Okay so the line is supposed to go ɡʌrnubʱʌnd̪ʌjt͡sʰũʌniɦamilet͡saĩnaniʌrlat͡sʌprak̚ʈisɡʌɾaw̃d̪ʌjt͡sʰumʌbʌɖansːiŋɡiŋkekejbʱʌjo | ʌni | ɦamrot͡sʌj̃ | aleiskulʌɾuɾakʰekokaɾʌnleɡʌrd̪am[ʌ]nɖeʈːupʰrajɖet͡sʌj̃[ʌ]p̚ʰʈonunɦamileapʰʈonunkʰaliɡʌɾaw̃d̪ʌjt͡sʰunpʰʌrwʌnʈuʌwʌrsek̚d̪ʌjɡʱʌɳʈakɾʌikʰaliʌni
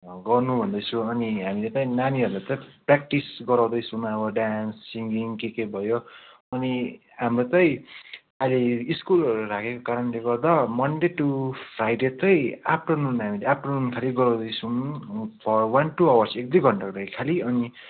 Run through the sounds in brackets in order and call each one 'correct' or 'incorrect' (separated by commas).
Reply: correct, incorrect